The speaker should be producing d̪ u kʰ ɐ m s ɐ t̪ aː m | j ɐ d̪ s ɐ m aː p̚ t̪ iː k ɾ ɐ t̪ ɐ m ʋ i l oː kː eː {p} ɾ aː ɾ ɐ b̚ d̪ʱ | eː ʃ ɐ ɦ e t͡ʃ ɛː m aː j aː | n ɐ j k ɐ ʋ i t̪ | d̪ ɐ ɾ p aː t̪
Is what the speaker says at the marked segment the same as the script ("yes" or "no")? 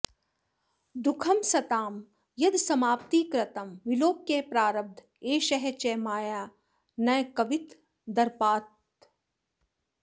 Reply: yes